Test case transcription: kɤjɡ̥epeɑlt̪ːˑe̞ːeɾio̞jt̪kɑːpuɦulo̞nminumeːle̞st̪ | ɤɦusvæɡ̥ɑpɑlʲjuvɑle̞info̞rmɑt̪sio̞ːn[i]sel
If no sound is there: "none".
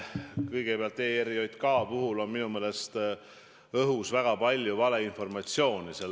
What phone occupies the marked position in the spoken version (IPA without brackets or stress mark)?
i